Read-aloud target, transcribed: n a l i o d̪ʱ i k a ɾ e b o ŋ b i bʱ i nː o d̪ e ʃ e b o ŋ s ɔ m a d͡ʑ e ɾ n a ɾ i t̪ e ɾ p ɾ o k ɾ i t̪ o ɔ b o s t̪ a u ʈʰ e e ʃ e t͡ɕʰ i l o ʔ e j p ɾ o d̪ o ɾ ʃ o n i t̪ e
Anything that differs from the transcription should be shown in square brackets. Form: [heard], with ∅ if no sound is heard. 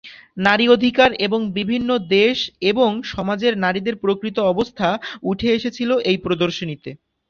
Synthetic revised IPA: n a [ɾ] i o d̪ʱ i k a ɾ e b o ŋ b i bʱ i nː o d̪ e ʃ e b o ŋ [ʃ] ɔ m a d͡ʑ e ɾ n a ɾ i [d̪] e ɾ p ɾ o k ɾ i t̪ o ɔ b o s [t̪ʰ] a u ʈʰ e e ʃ e t͡ɕʰ i l o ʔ e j p ɾ o d̪ o ɾ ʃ o n i t̪ e

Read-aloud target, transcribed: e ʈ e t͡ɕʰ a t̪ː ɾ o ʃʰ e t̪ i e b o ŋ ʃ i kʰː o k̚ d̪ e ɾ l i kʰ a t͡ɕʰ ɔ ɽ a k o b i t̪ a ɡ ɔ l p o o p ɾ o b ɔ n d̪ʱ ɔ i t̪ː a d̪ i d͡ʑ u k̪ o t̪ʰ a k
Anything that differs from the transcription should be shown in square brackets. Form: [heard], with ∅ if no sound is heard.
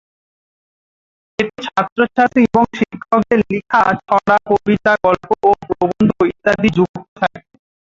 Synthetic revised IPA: e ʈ e t͡ɕʰ a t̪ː ɾ o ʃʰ [a] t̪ i e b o ŋ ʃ i kʰː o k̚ d̪ e ɾ l i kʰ a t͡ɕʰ ɔ ɽ a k o b i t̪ a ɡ ɔ l p o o p ɾ o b [o] n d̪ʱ [o] i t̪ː a d̪ i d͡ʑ u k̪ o t̪ʰ a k

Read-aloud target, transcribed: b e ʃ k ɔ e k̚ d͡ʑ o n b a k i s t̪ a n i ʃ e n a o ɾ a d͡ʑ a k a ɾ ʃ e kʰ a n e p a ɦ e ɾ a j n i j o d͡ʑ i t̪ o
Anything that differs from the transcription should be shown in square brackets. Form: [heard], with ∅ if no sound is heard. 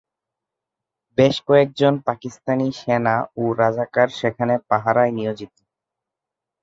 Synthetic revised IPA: b e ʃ k ɔ e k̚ d͡ʑ o n [p] a k i s t̪ a n i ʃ e n a o ɾ a d͡ʑ a k a ɾ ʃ e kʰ a n e p a ɦ [a] ɾ a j n i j o d͡ʑ i t̪ o

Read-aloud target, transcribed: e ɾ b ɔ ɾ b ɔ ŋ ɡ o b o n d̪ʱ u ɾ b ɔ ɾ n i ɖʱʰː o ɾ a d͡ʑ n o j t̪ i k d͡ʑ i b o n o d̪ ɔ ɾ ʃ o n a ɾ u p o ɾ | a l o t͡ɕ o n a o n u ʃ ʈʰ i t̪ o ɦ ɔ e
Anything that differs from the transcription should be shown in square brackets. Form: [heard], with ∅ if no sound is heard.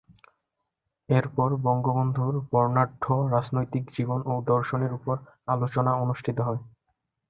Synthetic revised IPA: e ɾ [p] ɔ ɾ b ɔ ŋ ɡ o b o n d̪ʱ u ɾ b ɔ ɾ n [a] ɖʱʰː o ɾ a d͡ʑ n o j t̪ i k d͡ʑ i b o n o d̪ ɔ ɾ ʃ o n [e] ɾ u p o ɾ | a l o t͡ɕ o n a o n u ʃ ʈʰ i t̪ o ɦ ɔ e

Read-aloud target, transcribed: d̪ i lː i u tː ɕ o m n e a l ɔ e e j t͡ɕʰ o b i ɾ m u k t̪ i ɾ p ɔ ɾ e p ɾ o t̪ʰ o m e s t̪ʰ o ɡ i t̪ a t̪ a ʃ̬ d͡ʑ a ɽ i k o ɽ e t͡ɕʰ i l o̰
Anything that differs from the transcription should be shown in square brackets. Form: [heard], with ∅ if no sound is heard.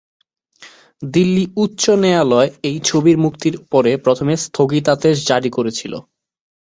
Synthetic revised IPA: d̪ i lː i u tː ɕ o [∅] n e a l ɔ e e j t͡ɕʰ o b i ɾ m u k t̪ i ɾ p ɔ ɾ e p ɾ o t̪ʰ o m e s t̪ʰ o ɡ i t̪ a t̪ [e] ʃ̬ d͡ʑ a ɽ i k o [ɾ] e t͡ɕʰ i l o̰

